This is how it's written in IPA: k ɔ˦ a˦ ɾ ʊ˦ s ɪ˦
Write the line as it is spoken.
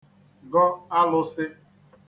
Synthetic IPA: ɡ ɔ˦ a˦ l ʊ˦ s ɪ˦